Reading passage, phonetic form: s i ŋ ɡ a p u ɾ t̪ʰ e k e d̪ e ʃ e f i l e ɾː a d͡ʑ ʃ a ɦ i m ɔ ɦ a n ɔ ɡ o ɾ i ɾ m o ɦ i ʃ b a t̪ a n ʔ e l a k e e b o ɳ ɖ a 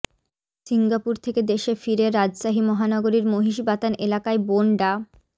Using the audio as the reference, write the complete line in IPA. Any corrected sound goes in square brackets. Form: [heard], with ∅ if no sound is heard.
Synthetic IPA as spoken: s i ŋ ɡ a p u ɾ t̪ʰ e k e d̪ e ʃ e f i [ɾ] e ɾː a d͡ʑ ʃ a ɦ i m ɔ ɦ a n ɔ ɡ o ɾ i ɾ m o ɦ i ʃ b a t̪ a n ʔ e l a k [a] e b o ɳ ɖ a